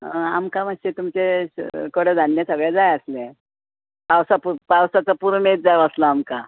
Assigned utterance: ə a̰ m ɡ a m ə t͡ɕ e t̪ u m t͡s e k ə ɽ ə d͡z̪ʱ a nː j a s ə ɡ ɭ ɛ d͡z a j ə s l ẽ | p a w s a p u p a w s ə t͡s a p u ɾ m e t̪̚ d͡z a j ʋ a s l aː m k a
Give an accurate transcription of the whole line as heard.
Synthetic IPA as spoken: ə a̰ m k a m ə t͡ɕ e t̪ u m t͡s e k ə ɽ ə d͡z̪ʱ a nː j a s ə ɡ ɭ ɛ d͡z a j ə s l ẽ | p a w s a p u p a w s a t͡s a p u ɾ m e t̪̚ d͡z a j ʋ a s l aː m k a